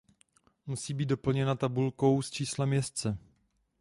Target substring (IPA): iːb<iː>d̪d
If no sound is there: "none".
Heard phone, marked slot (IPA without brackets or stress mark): iː